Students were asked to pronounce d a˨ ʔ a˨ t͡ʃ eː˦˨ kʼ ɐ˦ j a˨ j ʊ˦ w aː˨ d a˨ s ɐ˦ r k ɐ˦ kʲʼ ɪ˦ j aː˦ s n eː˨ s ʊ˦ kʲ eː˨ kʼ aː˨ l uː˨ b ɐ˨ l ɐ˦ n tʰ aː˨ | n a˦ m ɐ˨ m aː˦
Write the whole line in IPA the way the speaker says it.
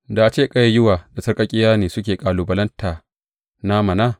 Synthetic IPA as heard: d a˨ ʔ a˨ t͡ʃ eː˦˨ kʼ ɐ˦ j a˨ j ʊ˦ w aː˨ d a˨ s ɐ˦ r kʼ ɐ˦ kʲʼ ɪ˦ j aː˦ n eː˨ s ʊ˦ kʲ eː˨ kʼ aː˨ l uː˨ b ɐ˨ l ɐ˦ n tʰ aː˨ | n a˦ m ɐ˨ n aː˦